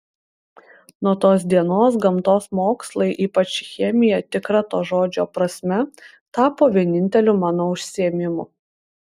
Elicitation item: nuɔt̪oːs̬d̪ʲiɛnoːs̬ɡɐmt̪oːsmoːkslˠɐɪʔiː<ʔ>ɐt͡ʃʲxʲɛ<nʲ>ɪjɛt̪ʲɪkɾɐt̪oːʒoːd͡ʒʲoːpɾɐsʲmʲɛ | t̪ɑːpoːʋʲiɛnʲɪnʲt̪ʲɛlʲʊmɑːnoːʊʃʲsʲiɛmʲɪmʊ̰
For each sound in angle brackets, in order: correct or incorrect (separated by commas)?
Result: incorrect, incorrect